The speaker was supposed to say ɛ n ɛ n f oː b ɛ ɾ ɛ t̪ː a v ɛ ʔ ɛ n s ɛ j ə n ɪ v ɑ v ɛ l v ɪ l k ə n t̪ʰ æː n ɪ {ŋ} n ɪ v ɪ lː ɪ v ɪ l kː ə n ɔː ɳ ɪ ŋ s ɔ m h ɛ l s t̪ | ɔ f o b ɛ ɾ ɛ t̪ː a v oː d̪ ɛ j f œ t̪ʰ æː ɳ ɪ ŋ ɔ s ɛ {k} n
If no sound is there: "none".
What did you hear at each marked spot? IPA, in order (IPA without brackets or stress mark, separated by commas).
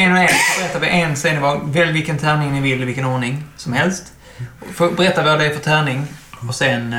ŋ, none